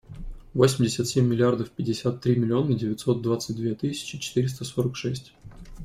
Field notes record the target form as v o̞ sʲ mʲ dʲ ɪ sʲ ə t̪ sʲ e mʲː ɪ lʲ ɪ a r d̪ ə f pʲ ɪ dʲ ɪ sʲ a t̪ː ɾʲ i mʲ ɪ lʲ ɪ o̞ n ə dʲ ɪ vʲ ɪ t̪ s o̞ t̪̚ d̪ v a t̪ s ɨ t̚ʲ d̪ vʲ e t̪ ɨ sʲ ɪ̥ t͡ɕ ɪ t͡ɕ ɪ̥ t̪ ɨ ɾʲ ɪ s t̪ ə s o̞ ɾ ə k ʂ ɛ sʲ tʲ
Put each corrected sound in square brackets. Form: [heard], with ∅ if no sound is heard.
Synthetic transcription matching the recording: v o̞ sʲ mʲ dʲ ɪ sʲ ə t̪ sʲ e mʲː ɪ lʲ ɪ a r d̪ ə f pʲ ɪ dʲ ɪ sʲ a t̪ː ɾʲ i mʲ ɪ lʲ ɪ o̞ n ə dʲ ɪ vʲ ɪ t̪ s o̞ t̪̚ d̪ v a t̪ s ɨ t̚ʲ d̪ vʲ e t̪ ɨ sʲ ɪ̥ t͡ɕ ɪ t͡ɕ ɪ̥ t̪ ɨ ɾʲ ɪ s t̪ ə s o̞ ɾ ə k ʂ ɛ sʲ tʲ